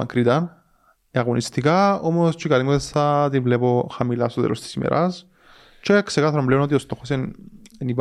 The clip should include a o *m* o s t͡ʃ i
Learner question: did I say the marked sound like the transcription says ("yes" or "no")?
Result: yes